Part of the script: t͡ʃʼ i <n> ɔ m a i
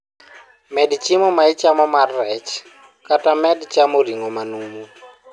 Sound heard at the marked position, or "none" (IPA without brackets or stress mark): m